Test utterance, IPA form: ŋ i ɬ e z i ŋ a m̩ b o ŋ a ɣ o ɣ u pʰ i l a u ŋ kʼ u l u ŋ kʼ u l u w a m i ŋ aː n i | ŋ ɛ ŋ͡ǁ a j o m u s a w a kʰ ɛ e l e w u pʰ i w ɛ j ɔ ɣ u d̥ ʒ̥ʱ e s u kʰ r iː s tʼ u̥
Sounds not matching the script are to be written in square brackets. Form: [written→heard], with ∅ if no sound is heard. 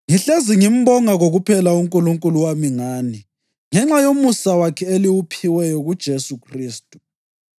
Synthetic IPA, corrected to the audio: ŋ i ɬ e z i ŋ [a→i] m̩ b [o→ɔ] ŋ a ɣ o ɣ u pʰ [i→ɛ] l a u ŋ kʼ u l u ŋ kʼ u l u w a m i ŋ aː n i | ŋ ɛ ŋ͡ǁ a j o m u s a w a kʰ ɛ e l [e→i] w u pʰ i w ɛ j ɔ ɣ u d̥ ʒ̥ʱ e s u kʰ r iː s tʼ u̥

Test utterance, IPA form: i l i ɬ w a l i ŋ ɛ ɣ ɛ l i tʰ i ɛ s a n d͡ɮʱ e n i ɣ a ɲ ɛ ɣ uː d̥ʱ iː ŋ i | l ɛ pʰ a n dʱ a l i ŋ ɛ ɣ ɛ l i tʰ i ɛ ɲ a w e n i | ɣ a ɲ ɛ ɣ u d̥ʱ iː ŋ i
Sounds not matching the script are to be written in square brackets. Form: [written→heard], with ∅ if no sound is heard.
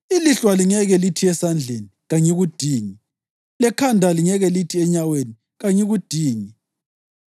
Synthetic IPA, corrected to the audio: i l i ɬ w a l i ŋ ɛ ɣ ɛ l i tʰ i ɛ s a n d͡ɮʱ e n i ɣ a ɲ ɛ ɣ [uː→u] d̥ʱ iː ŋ i | l ɛ [pʰ→kʰ] a n dʱ a l i ŋ ɛ ɣ ɛ l i tʰ i ɛ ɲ a w e n i | ɣ a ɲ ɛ ɣ u d̥ʱ iː ŋ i

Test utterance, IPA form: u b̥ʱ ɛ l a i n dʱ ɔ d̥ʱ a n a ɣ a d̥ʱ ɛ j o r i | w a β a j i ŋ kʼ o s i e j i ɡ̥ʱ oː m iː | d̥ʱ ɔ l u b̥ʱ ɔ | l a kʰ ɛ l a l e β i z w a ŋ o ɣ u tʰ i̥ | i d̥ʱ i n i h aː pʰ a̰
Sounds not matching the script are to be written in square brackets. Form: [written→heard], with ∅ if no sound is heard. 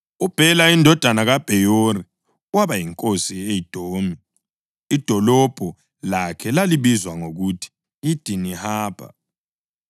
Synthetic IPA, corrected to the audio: u b̥ʱ ɛ l a i n dʱ ɔ d̥ʱ a n a ɣ a [d̥ʱ→b̥ʱ] ɛ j o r i | w a β a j i ŋ kʼ o s i e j i [ɡ̥ʱ→d̥ʱ] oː m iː | d̥ʱ ɔ l [u→ɔ] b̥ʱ ɔ | l a kʰ ɛ l a l [e→i] β i z w a ŋ o ɣ u tʰ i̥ | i d̥ʱ i n i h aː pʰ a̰

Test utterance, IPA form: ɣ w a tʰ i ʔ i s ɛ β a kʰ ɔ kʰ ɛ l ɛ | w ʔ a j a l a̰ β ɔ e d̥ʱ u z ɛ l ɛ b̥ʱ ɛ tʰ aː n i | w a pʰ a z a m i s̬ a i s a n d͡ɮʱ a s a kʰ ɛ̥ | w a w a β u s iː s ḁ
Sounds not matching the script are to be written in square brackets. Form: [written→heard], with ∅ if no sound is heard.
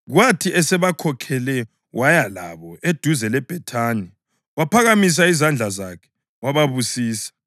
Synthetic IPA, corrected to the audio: ɣ w a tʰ i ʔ [i→ɛ] s ɛ β a kʰ ɔ kʰ ɛ l ɛ | w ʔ a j a l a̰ β ɔ e d̥ʱ u z ɛ l ɛ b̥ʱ ɛ tʰ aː n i | w a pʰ a [z→ɣ] a m i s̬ a i [s→z] a n d͡ɮʱ a [s→z] a kʰ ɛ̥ | w a [w→β] a β u s iː s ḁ

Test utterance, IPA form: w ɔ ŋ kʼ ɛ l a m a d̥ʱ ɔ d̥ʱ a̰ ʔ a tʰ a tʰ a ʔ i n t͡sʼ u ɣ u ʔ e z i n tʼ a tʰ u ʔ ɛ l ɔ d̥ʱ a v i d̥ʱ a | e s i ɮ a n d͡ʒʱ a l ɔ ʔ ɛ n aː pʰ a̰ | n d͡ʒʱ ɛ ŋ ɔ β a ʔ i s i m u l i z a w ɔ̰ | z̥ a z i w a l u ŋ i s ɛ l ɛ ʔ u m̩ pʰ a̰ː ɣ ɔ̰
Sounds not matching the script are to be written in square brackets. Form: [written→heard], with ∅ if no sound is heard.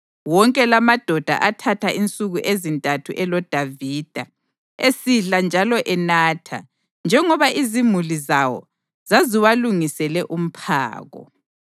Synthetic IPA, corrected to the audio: w ɔ ŋ kʼ ɛ l a m a d̥ʱ ɔ d̥ʱ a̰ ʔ a tʰ a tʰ a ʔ i n t͡sʼ u ɣ u ʔ e z i n tʼ a tʰ u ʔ ɛ l ɔ d̥ʱ a v i d̥ʱ a | e s i ɮ a n d͡ʒʱ a l ɔ ʔ ɛ n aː [pʰ→tʰ] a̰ | n d͡ʒʱ ɛ ŋ ɔ β a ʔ i [s→z] i m u l i z a w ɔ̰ | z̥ a z i w a l u ŋ i s ɛ l ɛ ʔ u m̩ pʰ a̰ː ɣ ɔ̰

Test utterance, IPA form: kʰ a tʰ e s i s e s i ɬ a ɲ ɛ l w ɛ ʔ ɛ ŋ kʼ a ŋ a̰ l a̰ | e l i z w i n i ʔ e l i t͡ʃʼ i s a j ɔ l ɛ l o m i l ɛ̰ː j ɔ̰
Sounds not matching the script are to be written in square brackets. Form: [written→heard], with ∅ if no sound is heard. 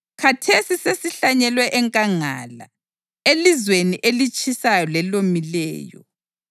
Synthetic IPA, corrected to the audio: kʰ a tʰ e s i s e s i ɬ a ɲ ɛ l w ɛ ʔ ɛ ŋ kʼ a ŋ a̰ l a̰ | e l i z w [i→e] n i ʔ e l i t͡ʃʼ i s a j ɔ l ɛ l o m i l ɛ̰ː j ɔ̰

